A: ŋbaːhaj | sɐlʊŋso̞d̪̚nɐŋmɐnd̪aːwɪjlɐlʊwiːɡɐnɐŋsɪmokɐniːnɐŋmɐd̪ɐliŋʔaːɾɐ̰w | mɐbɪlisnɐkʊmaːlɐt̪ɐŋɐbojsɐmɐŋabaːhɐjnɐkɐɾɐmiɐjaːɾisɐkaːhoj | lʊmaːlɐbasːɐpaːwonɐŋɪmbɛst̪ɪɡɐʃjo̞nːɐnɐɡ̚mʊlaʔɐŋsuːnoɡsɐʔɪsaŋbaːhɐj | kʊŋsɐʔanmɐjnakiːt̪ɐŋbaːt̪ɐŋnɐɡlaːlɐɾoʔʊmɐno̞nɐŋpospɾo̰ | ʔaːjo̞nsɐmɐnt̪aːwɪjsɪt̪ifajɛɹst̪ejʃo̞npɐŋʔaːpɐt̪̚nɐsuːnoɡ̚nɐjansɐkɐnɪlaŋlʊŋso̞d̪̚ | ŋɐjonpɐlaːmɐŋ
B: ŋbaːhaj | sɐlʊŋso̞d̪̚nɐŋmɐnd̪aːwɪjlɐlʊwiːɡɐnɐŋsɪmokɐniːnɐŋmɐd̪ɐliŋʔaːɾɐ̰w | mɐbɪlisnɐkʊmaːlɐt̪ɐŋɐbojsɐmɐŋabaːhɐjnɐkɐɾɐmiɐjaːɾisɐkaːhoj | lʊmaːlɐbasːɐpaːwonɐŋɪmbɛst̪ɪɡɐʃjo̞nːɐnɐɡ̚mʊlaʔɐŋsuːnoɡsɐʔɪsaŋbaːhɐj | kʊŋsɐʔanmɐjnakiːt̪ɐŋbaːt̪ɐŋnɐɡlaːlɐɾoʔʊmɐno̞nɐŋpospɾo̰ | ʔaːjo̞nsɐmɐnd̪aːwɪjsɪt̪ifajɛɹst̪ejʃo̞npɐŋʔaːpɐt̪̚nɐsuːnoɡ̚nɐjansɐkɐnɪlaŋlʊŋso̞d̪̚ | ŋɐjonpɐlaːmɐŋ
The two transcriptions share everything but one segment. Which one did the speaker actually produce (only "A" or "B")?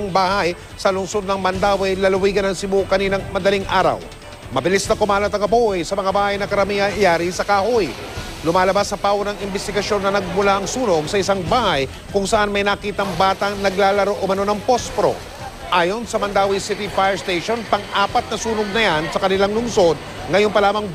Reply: B